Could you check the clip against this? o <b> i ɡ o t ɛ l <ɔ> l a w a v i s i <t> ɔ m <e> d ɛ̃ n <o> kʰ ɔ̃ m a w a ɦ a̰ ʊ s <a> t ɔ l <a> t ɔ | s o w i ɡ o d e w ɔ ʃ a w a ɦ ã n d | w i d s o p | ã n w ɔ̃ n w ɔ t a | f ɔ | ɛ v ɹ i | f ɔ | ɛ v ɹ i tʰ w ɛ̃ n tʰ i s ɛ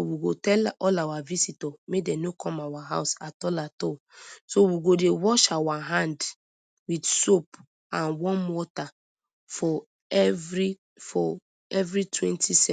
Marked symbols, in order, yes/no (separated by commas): no, yes, yes, yes, yes, yes, yes